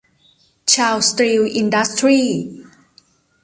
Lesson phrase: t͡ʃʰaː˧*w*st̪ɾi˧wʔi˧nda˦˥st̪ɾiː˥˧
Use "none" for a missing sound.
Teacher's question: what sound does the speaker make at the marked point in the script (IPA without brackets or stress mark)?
w